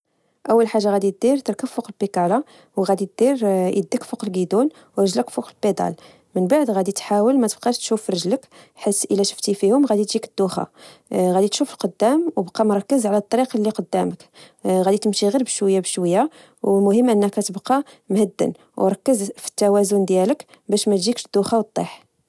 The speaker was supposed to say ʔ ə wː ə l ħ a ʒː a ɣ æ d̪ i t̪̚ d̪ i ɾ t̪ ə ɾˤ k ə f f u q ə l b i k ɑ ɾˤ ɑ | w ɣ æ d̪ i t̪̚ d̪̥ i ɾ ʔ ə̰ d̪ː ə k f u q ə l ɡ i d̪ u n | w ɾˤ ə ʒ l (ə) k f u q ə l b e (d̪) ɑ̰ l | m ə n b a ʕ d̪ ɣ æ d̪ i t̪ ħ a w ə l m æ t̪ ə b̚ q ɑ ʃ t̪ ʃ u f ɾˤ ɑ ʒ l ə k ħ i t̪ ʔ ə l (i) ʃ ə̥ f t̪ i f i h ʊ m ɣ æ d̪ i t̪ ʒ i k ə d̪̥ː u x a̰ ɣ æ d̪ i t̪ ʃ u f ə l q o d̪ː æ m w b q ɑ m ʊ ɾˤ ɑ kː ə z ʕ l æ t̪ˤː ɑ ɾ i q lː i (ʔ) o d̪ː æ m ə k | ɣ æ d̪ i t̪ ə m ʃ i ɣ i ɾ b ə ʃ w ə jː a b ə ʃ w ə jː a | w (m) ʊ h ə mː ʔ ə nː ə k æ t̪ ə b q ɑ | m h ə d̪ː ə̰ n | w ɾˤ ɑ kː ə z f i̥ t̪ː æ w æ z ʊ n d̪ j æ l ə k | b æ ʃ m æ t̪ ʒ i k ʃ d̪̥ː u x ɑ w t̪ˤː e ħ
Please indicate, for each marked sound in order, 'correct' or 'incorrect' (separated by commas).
correct, correct, incorrect, incorrect, correct